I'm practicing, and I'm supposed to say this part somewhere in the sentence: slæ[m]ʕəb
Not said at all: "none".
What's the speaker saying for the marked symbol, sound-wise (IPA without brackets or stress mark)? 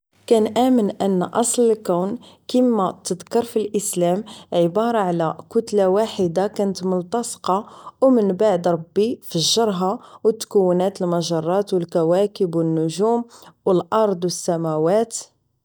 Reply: m